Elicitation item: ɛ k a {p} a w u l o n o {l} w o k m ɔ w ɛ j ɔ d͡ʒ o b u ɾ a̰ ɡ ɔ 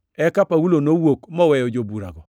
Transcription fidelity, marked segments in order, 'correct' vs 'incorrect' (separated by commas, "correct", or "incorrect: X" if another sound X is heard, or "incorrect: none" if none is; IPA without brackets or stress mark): correct, incorrect: none